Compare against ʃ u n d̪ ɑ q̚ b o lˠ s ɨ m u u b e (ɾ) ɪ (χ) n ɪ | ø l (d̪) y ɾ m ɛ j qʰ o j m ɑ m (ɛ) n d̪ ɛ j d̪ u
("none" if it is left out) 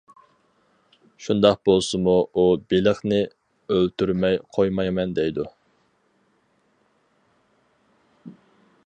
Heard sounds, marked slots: l, χ, t̪, ɛ

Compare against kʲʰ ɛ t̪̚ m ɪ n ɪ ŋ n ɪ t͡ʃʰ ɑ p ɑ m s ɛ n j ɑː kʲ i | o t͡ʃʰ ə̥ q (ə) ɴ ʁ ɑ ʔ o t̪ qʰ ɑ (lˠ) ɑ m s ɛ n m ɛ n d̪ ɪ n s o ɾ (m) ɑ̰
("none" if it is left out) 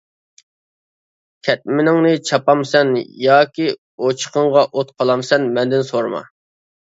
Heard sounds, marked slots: ə, lˠ, m

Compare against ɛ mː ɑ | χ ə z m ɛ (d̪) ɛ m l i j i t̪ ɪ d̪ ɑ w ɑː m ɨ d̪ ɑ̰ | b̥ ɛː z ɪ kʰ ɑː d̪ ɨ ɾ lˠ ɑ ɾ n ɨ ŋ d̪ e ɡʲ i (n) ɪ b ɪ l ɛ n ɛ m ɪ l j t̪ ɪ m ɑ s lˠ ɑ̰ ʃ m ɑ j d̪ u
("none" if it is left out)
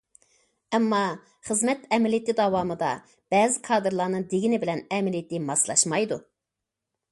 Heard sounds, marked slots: t̪, n

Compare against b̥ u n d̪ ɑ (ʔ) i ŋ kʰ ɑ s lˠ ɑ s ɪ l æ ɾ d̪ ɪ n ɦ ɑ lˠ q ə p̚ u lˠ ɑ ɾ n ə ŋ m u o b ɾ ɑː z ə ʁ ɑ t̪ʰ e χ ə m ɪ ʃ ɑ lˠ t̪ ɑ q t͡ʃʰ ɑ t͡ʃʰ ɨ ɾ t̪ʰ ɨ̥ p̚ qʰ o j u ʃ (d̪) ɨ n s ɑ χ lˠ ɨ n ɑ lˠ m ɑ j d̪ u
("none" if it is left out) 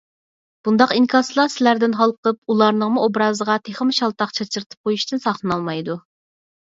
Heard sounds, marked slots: q, t̪

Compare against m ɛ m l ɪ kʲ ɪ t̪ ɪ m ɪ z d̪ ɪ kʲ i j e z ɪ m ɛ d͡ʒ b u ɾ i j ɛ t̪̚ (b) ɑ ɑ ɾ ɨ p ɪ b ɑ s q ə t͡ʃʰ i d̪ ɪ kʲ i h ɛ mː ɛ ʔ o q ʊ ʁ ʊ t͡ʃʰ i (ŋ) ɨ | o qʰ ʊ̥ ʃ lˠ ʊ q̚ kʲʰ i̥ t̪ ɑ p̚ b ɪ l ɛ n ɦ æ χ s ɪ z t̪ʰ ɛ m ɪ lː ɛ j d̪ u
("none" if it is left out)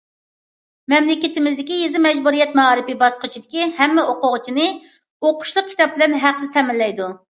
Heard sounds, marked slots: m, n

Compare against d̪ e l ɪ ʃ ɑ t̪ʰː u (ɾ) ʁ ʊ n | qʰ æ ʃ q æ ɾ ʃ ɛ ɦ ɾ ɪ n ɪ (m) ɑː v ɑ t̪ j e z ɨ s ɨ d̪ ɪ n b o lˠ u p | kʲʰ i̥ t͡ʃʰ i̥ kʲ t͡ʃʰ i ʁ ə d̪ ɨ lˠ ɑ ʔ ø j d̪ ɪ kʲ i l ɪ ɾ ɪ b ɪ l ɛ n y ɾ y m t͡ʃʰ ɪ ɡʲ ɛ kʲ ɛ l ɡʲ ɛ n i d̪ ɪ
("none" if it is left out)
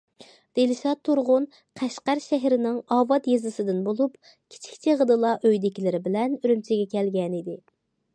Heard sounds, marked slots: ɾ, ŋ

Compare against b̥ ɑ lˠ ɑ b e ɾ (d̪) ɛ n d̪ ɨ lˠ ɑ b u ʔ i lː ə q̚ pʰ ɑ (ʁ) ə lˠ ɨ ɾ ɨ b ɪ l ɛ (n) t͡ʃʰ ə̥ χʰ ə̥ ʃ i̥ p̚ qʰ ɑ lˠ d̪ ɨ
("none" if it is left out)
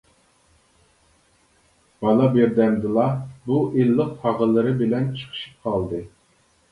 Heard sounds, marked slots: d̪, ʁ, n

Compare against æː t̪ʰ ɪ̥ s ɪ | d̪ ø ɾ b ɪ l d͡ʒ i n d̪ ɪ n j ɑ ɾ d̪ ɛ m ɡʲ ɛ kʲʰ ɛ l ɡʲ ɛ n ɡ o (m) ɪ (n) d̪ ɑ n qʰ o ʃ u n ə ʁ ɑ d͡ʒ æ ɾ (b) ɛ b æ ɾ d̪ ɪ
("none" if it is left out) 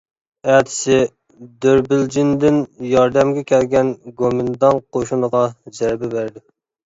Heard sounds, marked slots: m, n, b

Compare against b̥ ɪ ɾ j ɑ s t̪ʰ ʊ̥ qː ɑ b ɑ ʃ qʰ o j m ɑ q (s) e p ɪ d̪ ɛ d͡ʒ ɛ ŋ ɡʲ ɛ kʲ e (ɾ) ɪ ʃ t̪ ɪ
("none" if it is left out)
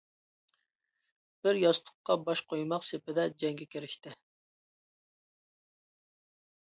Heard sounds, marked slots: s, ɾ

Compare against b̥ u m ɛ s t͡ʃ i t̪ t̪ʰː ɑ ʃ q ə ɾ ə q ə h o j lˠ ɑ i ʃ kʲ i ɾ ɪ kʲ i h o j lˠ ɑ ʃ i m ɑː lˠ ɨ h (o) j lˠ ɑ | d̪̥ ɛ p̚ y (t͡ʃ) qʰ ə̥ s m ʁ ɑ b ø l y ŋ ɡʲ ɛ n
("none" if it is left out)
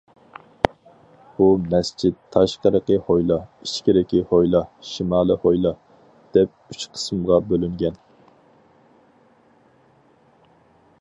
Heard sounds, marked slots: o, t͡ʃ

